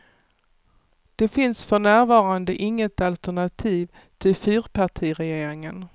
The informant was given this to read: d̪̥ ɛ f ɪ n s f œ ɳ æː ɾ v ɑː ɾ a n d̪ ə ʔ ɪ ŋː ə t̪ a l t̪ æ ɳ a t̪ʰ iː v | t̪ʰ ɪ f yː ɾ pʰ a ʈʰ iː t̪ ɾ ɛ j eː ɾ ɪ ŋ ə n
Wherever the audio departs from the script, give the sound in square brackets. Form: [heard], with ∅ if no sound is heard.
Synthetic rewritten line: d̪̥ ɛ f ɪ n s f œ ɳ æː ɾ v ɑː ɾ a n d̪ ə ʔ ɪ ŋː ə t̪ a l t̪ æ ɳ a t̪ʰ iː v | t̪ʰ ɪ f yː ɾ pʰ a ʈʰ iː [∅] ɾ ɛ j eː ɾ ɪ ŋ ə n